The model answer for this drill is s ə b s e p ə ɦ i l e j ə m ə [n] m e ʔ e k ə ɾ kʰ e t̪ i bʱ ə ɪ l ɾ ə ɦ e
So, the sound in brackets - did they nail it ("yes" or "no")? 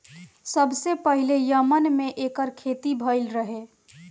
yes